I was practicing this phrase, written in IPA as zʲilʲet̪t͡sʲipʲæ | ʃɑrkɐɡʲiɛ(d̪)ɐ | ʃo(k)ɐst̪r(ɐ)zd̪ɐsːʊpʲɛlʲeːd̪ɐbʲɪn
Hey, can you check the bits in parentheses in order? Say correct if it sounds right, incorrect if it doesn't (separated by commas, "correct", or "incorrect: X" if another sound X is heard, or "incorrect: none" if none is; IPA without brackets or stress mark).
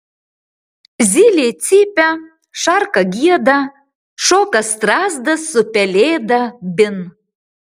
correct, correct, incorrect: ɑ